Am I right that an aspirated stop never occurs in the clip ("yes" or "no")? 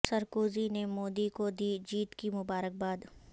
yes